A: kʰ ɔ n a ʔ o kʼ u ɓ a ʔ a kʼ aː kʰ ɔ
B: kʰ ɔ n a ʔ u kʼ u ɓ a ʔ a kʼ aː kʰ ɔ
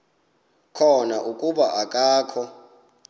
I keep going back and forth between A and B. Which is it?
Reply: B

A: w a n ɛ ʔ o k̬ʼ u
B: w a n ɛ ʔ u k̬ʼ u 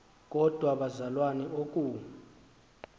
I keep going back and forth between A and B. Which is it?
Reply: A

